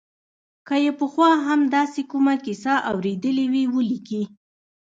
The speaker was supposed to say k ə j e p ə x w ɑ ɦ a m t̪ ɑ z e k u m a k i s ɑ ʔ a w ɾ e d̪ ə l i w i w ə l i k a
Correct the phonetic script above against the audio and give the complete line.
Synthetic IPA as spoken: k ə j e p ə x w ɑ ɦ a m d̪ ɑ s e k u m a k i s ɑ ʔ a w ɾ e d̪ ə l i w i w ə l i k i